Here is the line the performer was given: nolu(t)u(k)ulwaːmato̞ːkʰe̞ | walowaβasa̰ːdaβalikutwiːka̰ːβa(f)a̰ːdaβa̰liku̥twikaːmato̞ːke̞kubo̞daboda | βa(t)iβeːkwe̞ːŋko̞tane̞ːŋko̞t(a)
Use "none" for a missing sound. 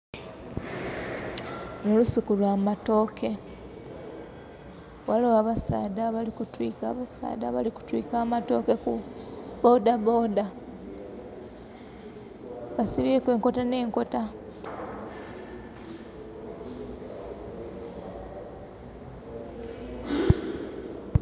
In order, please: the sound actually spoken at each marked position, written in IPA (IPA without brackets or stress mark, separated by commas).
s, k, s, s, a